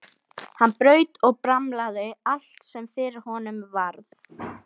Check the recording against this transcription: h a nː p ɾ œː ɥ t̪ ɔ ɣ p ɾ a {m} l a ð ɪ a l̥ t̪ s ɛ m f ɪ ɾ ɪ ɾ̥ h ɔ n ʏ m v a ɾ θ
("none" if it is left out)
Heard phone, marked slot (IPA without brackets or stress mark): m